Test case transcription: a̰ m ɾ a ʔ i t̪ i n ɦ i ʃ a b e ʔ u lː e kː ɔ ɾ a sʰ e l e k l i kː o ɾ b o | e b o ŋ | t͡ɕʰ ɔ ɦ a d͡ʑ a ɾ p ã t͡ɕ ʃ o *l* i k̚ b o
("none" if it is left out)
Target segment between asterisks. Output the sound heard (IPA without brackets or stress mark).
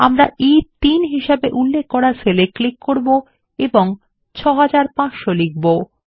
l